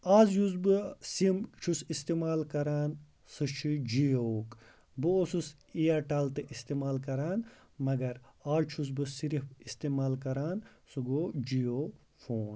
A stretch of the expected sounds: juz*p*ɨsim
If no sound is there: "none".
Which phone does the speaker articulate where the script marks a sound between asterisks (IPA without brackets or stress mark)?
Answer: b